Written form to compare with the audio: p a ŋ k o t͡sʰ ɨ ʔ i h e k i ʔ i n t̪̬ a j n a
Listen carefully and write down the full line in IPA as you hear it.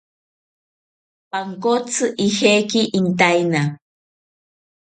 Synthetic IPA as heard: p a ŋ k o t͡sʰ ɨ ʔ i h e k i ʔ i n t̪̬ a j n a